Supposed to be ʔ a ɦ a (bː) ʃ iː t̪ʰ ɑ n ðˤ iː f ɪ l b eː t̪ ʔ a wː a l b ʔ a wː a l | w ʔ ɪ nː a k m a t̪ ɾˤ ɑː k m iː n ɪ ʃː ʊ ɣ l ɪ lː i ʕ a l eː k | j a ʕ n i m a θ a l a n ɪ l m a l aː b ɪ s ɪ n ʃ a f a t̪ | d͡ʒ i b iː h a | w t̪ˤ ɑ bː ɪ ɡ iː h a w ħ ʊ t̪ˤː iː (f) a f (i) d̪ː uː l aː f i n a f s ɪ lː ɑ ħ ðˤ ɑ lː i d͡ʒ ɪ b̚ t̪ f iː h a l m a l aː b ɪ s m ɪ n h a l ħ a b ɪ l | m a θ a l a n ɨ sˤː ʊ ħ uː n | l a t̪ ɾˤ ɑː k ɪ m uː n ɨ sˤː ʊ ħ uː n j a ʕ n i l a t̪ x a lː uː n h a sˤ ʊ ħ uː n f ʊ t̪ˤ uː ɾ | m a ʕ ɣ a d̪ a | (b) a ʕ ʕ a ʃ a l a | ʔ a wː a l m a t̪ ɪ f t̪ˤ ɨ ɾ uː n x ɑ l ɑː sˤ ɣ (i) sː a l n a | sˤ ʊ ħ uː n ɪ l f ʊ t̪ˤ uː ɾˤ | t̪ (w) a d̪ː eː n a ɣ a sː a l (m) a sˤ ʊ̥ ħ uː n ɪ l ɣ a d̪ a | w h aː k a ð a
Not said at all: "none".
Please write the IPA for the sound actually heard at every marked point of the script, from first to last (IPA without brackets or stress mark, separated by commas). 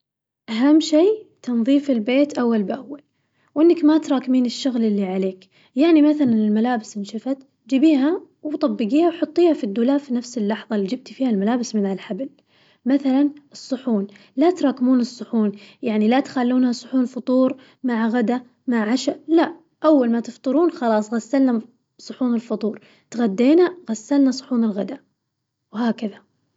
mː, h, i, m, a, ɣ, n